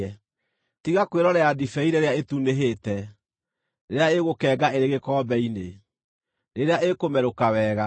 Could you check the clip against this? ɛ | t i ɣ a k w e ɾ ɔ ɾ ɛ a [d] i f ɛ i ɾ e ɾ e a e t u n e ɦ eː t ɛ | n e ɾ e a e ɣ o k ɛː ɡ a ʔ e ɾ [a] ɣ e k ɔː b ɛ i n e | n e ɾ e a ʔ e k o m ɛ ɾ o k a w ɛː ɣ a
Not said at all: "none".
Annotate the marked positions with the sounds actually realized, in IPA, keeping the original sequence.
d, e

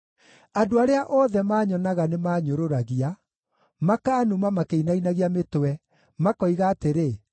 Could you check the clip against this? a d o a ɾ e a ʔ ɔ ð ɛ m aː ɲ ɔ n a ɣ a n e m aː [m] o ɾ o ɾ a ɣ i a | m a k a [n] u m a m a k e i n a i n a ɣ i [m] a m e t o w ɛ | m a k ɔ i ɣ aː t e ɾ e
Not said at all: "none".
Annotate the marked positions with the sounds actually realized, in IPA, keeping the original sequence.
ɲ, n, none

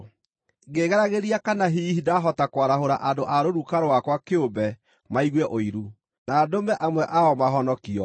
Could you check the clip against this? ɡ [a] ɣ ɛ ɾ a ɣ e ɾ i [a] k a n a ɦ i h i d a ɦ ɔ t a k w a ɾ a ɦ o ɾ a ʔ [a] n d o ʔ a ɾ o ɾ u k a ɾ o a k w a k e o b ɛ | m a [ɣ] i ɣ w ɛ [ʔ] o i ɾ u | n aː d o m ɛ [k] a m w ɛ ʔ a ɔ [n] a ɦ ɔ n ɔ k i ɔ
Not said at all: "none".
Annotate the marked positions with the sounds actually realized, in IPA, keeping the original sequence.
e, a, a, none, ʔ, ʔ, m

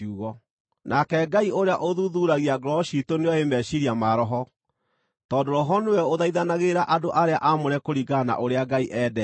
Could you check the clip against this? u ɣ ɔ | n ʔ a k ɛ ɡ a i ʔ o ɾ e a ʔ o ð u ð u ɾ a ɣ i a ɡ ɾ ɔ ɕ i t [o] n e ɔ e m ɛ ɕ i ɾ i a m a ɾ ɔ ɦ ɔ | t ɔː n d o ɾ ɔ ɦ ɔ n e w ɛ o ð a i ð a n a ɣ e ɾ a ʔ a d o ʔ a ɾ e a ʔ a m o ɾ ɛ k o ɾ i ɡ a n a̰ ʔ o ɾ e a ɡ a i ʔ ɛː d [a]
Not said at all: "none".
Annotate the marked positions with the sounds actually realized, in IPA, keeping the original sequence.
o, ɛ

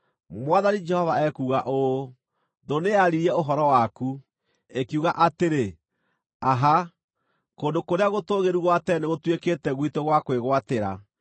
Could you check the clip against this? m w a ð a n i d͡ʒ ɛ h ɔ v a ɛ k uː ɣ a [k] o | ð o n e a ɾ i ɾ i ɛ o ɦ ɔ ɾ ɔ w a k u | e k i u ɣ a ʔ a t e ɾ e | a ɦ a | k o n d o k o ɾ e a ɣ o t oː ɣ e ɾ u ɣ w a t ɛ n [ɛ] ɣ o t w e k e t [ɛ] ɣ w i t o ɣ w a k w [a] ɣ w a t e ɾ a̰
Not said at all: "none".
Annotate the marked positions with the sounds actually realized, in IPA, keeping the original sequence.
ʔ, e, ɛ, e

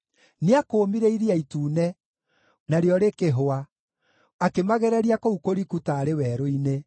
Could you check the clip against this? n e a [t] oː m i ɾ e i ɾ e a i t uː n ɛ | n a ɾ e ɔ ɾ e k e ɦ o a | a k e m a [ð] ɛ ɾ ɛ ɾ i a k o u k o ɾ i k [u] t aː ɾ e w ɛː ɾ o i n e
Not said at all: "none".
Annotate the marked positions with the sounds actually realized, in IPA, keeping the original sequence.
k, ɣ, u

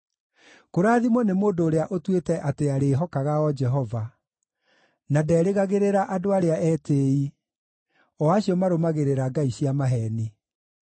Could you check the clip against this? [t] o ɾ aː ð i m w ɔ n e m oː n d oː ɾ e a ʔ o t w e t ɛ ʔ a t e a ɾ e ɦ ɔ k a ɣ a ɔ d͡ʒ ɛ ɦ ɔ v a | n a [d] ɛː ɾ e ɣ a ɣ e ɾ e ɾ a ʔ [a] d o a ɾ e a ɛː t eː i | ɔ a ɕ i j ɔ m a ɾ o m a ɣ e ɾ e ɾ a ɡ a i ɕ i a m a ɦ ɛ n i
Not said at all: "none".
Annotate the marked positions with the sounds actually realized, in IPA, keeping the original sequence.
k, d, a

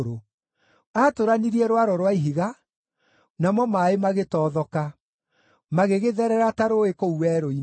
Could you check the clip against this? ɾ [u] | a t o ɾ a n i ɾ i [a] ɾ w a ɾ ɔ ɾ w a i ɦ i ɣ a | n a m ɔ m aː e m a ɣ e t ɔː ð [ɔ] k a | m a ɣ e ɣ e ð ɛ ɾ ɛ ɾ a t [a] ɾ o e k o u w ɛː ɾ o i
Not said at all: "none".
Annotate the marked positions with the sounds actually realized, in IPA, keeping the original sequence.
o, ɛ, ɔ, a

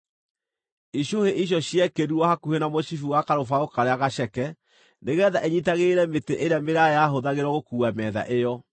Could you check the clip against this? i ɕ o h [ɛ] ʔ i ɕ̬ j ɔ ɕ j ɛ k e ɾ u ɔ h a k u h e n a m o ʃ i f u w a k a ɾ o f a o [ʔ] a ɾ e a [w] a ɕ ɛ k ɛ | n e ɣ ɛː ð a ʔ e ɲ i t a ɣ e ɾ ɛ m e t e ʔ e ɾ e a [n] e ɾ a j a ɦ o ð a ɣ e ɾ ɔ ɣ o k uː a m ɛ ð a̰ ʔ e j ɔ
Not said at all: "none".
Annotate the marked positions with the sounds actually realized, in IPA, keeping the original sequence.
e, k, ɣ, m

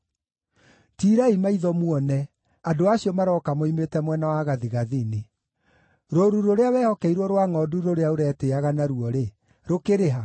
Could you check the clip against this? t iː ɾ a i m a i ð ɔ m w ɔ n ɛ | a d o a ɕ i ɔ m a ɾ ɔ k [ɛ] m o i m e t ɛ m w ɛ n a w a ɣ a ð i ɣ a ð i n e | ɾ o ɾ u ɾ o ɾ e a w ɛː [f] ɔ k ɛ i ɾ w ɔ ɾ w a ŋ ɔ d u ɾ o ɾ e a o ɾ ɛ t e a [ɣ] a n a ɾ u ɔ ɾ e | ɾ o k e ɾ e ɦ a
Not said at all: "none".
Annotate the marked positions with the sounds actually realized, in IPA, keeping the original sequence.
a, h, ɣ

